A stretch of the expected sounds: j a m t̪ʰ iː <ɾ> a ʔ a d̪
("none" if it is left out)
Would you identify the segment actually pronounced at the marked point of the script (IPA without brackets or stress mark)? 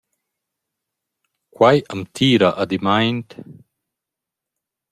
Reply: ɾ